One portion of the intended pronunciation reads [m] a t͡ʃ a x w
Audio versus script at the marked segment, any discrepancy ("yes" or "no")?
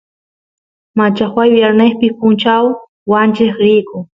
no